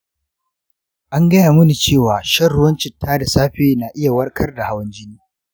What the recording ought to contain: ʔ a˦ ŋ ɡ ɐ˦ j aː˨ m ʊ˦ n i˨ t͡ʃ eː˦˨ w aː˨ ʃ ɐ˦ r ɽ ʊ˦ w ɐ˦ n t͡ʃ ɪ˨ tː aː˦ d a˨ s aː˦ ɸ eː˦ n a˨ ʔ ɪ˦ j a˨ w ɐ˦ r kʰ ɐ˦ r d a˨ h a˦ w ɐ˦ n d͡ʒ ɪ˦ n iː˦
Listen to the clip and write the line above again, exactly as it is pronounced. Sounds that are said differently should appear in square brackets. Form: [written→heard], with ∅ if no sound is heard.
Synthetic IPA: ʔ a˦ ŋ ɡ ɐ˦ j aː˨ m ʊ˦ n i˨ t͡ʃ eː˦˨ w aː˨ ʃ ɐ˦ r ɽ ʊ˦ w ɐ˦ n t͡ʃ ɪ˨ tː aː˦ d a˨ s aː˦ ɸ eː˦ n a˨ ʔ ɪ˦ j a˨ w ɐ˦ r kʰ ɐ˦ r d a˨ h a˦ w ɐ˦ n d͡ʒ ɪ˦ n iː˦

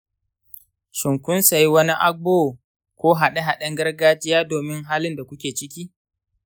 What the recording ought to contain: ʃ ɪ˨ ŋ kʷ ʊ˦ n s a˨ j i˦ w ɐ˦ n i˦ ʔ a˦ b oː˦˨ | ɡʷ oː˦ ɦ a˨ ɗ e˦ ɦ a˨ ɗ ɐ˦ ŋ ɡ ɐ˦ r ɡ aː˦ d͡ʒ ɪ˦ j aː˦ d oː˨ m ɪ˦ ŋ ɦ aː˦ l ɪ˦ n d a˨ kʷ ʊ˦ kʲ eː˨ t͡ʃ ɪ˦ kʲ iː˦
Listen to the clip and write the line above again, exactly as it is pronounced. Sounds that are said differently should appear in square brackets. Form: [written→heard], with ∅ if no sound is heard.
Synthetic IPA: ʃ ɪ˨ ŋ kʷ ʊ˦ n s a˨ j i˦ w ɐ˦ n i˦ ʔ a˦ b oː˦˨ | [ɡʷ→kʷ] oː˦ ɦ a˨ ɗ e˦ ɦ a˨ ɗ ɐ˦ ŋ ɡ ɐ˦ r ɡ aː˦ d͡ʒ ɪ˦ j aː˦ d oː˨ m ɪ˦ ŋ ɦ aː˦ l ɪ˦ n d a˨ kʷ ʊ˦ kʲ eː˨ t͡ʃ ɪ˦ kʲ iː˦

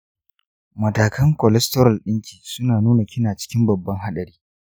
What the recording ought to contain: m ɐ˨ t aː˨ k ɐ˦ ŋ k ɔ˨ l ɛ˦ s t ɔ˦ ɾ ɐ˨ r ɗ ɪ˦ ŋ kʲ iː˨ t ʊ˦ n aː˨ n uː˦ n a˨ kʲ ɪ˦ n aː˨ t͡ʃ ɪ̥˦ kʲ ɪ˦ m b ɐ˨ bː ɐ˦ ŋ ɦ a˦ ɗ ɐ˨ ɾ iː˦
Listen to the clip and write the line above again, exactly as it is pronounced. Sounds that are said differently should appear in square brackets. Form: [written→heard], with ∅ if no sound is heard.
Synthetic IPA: m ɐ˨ t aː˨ k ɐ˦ ŋ k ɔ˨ l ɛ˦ s t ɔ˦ ɾ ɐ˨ [r→l] ɗ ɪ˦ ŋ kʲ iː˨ [t→s] ʊ˦ n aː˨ n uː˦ n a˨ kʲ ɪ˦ n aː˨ t͡ʃ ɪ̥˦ kʲ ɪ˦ m b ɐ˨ bː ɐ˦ ŋ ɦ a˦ ɗ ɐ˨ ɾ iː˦

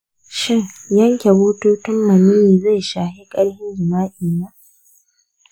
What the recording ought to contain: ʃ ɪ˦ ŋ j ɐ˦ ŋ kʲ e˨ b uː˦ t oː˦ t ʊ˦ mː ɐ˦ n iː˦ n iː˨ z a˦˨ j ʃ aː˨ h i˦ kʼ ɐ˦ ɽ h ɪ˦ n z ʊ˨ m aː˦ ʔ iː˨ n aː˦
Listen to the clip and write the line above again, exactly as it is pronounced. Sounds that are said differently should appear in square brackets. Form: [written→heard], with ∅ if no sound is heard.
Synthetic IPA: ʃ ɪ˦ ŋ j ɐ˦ ŋ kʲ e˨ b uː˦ t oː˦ t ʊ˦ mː [ɐ˦→ɐ˨] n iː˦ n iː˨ z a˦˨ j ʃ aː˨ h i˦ kʼ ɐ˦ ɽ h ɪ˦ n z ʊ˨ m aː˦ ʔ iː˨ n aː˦

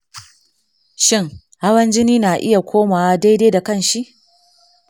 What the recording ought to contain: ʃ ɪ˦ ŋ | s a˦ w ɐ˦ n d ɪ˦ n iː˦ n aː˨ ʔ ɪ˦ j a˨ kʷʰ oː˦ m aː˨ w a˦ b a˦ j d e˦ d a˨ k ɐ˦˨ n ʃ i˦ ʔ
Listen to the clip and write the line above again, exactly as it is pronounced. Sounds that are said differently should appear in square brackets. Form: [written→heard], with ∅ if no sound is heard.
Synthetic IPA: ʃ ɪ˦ ŋ | [s→h] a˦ w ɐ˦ n [d→d͡ʒ] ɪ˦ n iː˦ n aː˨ ʔ ɪ˦ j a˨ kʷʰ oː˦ m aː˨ w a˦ [b→d] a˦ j d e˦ d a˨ k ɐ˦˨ n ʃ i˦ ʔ

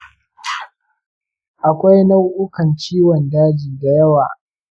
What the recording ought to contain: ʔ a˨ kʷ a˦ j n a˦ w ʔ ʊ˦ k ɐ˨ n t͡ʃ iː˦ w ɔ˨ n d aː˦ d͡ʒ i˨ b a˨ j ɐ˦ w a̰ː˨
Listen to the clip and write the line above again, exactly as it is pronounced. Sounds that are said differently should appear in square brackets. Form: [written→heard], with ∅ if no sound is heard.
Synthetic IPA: ʔ a˨ kʷ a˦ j n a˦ w ʔ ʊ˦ k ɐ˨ n t͡ʃ iː˦ w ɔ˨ n d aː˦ d͡ʒ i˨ [b→d] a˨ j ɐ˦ w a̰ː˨

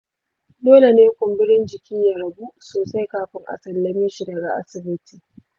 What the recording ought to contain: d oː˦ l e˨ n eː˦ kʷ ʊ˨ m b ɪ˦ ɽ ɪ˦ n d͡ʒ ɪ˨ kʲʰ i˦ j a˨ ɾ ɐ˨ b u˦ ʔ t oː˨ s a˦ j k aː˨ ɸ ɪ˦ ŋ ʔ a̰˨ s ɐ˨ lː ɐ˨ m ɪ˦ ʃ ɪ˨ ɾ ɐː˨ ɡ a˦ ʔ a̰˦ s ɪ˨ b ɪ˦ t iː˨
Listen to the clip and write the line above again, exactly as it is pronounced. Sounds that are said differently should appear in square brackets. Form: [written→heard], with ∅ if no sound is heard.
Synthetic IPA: d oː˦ l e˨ n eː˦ kʷ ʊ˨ m b ɪ˦ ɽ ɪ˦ n d͡ʒ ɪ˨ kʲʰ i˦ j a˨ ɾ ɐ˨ b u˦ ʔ [t→s] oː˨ s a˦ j k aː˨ ɸ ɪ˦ ŋ ʔ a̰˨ s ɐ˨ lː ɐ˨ m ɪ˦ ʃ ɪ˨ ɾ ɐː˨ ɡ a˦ ʔ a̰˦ s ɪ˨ b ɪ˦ t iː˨

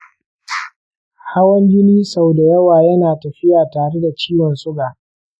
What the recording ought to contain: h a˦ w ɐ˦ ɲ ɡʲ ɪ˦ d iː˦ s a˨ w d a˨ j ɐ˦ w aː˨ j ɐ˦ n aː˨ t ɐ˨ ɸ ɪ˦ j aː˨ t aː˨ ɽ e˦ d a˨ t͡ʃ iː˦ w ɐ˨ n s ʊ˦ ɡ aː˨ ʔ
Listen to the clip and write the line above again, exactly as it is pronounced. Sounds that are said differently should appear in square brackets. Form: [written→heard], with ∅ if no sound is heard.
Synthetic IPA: h a˦ w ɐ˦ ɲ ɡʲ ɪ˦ [d→n] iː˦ s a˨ w d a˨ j ɐ˦ w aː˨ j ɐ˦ n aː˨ t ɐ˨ ɸ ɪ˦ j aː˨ t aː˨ ɽ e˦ d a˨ t͡ʃ iː˦ w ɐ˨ n s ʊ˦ ɡ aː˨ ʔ

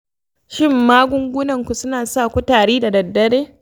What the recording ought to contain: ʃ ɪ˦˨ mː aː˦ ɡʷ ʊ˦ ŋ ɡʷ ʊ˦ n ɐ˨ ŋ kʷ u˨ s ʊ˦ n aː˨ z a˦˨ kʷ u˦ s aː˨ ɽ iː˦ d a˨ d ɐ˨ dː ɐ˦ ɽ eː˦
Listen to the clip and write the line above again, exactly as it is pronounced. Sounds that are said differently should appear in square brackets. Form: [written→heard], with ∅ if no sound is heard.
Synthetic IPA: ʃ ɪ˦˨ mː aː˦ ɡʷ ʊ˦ ŋ ɡʷ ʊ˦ n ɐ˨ ŋ kʷ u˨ s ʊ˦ n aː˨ [z→s] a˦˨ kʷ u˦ [s→t] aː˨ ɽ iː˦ d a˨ d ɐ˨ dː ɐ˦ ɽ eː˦

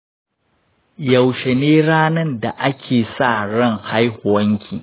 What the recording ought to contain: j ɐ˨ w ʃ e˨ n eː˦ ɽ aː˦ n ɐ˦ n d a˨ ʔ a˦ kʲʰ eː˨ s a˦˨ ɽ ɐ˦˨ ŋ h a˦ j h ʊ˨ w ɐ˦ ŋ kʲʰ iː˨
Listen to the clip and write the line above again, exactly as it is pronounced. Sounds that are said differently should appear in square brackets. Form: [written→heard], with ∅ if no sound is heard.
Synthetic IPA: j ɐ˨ w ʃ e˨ n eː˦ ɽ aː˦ n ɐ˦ n d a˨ ʔ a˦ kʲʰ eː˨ s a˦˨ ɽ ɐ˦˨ ŋ h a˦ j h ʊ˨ w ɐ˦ ŋ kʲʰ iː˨

